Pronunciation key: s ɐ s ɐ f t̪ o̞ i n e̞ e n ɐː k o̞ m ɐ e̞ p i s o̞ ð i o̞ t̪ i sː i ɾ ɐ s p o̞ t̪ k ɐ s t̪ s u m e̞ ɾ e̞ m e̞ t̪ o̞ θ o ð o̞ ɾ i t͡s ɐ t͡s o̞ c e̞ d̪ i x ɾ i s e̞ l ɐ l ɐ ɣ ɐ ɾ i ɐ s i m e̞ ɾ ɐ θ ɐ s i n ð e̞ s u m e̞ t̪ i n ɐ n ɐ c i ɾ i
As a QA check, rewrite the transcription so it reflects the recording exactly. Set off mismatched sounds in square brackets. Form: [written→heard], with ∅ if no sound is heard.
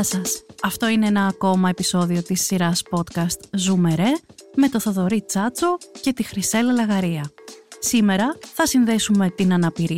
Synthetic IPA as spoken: s ɐ s ɐ f t̪ o̞ i n e̞ e n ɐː k o̞ m ɐ e̞ p i s o̞ ð i o̞ t̪ i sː i ɾ ɐ s p o̞ t̪ k ɐ s t̪ [s→z] u m e̞ ɾ e̞ m e̞ t̪ o̞ θ o ð o̞ ɾ i t͡s ɐ t͡s o̞ c e̞ [d̪→t̪] i x ɾ i s e̞ l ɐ l ɐ ɣ ɐ ɾ i ɐ s i m e̞ ɾ ɐ θ ɐ s i n ð e̞ s u m e̞ t̪ i n ɐ n ɐ [c→p] i ɾ i